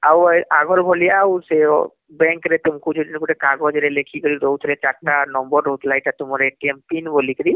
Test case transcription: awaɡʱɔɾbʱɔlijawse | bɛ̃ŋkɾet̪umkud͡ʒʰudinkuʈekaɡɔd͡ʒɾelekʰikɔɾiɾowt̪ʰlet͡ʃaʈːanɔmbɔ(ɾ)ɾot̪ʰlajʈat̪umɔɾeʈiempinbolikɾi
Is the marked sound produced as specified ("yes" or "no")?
yes